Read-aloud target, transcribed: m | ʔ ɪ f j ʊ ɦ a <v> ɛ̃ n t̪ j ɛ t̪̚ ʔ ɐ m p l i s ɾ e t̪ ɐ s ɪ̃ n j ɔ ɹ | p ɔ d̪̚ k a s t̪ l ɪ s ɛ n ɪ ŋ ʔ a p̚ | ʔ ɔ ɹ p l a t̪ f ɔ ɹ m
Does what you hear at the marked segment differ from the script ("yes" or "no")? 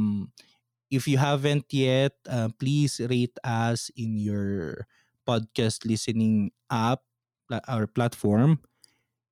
no